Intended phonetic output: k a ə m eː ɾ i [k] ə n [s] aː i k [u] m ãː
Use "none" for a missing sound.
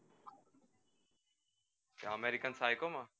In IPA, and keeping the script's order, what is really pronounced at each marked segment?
k, s, o

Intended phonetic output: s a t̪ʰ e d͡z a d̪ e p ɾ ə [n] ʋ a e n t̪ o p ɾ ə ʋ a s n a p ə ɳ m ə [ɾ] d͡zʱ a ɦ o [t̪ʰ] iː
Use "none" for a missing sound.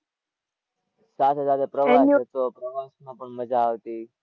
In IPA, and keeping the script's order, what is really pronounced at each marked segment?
none, none, t̪

